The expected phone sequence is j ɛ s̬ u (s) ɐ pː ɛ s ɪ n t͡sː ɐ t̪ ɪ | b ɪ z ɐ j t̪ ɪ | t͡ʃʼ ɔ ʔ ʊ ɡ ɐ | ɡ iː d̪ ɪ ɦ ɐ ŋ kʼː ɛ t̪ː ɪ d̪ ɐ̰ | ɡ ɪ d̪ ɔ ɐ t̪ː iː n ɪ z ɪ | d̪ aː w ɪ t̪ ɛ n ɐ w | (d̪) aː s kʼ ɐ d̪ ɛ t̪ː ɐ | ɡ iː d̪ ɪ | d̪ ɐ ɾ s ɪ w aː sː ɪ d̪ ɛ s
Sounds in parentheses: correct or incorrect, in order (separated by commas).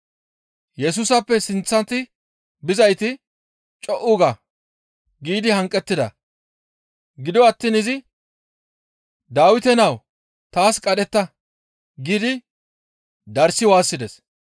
correct, incorrect